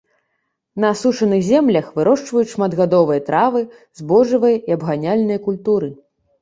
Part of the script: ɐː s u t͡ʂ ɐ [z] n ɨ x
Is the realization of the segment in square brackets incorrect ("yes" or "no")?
yes